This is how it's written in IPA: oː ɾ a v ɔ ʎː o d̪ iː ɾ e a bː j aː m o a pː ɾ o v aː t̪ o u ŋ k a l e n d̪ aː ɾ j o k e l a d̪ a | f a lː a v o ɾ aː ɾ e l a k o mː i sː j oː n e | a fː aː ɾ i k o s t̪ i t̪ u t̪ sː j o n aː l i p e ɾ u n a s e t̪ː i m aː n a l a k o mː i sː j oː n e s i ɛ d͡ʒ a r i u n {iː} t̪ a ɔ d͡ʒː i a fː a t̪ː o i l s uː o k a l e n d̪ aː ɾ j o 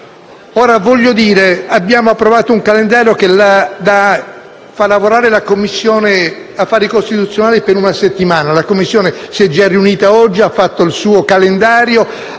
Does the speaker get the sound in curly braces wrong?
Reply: no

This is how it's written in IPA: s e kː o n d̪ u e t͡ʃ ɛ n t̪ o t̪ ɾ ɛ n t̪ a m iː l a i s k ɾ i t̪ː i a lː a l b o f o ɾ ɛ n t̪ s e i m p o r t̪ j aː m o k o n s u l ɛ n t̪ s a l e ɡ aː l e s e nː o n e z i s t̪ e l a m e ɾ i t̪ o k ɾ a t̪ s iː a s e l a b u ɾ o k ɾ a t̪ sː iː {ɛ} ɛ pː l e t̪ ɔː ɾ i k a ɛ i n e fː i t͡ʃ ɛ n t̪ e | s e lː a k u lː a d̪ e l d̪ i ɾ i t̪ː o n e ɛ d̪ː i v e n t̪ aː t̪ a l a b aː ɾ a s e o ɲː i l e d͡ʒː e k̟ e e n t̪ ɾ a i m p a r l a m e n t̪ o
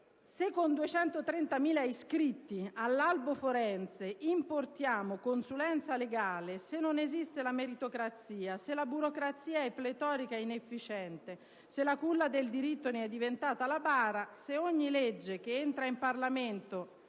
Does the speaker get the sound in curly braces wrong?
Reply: yes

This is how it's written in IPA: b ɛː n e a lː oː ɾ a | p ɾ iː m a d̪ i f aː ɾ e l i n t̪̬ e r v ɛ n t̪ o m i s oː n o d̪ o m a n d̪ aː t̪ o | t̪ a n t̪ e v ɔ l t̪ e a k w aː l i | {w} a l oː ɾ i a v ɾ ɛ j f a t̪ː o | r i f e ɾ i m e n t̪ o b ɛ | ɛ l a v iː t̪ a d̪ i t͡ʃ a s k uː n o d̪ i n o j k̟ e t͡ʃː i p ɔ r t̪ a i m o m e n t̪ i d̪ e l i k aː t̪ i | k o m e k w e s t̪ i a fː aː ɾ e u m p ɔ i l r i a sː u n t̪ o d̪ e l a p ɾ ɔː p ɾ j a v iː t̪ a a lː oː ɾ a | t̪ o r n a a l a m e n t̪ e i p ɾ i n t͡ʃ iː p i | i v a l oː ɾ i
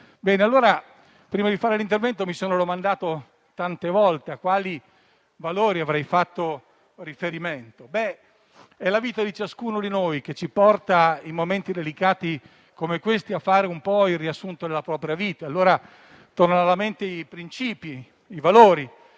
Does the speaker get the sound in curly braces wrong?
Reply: yes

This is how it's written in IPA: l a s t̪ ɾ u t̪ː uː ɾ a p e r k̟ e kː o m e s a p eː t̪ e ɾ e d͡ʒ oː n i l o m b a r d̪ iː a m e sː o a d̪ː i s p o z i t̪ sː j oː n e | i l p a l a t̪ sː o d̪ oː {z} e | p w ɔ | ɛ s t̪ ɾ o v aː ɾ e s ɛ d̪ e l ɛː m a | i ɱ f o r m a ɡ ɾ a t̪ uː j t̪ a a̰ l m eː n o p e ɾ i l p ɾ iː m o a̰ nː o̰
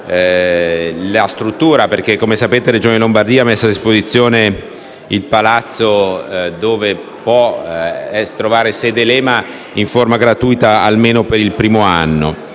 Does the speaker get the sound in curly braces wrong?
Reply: yes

